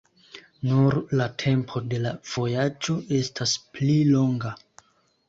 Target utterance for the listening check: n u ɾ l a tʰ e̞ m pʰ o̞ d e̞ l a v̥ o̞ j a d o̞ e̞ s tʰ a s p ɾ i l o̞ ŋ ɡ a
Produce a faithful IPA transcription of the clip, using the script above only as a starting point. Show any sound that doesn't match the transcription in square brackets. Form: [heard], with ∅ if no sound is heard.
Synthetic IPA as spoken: n u ɾ l a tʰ e̞ m pʰ o̞ d e̞ l a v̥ o̞ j a [d͡ʒ] o̞ e̞ s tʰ a s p [l] i l o̞ ŋ ɡ a